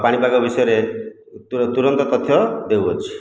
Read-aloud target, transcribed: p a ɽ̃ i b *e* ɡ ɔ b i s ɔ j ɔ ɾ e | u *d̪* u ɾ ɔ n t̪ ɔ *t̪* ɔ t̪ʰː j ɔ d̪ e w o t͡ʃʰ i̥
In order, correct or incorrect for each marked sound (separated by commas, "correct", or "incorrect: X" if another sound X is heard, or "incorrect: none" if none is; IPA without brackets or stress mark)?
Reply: incorrect: a, incorrect: t̪, correct